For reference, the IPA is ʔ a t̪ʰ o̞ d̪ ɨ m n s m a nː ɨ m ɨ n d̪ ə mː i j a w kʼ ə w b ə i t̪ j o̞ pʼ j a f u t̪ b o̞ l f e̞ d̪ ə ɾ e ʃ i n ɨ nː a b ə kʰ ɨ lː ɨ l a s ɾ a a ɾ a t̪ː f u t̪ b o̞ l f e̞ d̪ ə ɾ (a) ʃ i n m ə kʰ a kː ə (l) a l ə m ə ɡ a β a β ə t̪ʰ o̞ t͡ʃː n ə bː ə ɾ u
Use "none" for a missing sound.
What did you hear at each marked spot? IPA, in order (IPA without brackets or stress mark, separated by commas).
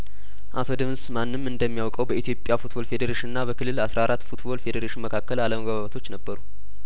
e, l